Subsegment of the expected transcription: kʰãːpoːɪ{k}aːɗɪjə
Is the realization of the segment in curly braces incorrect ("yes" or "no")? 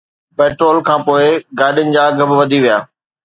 yes